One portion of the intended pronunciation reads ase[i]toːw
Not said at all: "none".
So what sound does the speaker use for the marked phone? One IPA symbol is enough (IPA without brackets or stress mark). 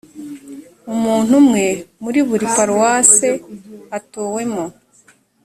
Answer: a